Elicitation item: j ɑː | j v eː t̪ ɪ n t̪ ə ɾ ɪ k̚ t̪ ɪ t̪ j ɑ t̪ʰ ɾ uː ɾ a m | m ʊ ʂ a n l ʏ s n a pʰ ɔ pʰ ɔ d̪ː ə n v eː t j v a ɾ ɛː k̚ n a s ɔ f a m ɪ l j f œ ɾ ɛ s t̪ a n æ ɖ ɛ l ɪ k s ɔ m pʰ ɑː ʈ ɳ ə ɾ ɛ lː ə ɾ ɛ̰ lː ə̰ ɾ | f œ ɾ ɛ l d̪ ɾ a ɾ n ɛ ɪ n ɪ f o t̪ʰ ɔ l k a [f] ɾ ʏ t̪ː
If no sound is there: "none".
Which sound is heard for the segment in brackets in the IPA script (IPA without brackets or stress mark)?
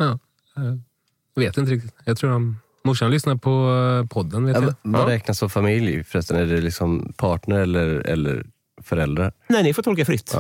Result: f